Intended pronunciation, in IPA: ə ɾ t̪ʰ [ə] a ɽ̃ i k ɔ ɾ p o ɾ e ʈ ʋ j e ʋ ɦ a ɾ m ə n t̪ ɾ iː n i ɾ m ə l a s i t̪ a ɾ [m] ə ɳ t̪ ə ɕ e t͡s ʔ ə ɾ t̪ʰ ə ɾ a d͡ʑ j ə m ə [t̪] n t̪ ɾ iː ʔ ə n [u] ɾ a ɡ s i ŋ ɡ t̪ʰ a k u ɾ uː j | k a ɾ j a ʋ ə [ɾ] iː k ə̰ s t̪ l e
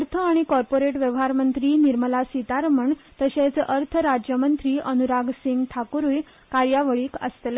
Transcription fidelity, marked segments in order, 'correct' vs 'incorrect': correct, correct, incorrect, correct, incorrect

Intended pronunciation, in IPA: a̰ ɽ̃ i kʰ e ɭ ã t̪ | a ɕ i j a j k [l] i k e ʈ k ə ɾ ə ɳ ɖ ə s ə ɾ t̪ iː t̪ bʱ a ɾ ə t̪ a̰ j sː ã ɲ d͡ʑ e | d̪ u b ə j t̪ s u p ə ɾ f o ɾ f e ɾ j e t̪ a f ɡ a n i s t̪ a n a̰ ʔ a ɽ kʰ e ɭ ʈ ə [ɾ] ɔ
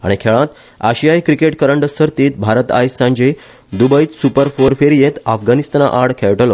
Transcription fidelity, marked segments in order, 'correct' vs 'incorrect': incorrect, incorrect

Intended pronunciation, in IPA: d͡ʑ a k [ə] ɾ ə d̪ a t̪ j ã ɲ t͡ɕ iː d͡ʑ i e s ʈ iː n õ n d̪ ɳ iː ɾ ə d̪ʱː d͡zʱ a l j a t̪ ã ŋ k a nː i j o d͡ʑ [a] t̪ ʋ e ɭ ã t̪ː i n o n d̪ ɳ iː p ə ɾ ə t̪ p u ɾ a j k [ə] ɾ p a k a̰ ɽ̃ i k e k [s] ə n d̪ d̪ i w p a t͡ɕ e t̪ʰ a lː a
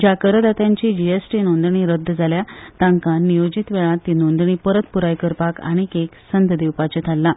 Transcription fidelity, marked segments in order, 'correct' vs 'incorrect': correct, incorrect, correct, correct

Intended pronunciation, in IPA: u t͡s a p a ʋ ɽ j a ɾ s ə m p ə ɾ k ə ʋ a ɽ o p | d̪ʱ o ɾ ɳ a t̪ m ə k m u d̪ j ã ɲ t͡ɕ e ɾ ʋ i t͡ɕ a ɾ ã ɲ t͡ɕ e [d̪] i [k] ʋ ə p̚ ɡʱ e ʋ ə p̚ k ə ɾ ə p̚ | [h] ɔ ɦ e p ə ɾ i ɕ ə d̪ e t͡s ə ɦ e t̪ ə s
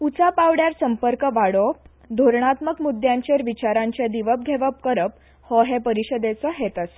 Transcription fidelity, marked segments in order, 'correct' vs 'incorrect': correct, incorrect, correct

